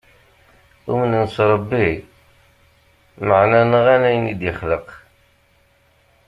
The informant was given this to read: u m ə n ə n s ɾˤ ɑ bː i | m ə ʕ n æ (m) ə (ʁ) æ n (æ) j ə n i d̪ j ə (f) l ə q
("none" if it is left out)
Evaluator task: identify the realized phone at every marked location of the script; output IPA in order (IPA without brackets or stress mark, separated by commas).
n, ʁ, æ, χ